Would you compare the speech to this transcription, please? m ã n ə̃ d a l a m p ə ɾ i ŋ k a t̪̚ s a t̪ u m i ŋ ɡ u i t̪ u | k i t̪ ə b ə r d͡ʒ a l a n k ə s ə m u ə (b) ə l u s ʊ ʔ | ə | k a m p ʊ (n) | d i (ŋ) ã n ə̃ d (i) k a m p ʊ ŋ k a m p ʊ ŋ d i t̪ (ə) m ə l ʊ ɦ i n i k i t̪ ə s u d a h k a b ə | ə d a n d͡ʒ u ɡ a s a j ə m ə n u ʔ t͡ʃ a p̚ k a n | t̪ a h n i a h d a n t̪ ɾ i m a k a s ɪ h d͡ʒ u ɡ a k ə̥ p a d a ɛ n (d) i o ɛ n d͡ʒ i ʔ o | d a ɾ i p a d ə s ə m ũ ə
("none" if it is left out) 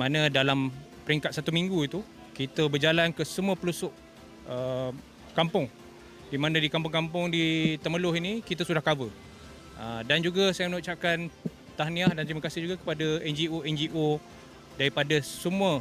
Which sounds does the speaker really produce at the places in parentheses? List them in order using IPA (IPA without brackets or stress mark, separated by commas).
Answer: p, ŋ, m, i, ə, d͡ʒ